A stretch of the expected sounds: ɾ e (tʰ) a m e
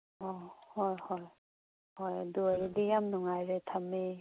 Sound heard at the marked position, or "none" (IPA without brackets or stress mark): tʰ